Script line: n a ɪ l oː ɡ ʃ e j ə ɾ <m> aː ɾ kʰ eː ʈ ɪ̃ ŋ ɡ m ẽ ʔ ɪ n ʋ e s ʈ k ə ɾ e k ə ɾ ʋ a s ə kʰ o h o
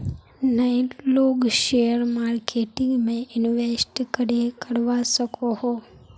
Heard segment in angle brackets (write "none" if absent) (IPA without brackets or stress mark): m